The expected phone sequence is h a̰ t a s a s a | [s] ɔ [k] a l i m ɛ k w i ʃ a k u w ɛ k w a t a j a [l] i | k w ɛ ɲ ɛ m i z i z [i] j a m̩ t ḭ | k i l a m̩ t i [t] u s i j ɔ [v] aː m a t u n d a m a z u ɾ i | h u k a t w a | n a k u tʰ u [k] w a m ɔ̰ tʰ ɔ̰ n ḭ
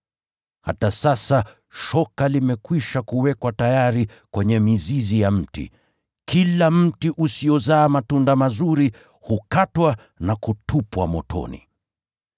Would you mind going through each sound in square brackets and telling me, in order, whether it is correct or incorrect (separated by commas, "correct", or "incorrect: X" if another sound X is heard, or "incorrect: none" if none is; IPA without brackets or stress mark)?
incorrect: ʃ, correct, incorrect: ɾ, correct, incorrect: ʔ, incorrect: z, incorrect: p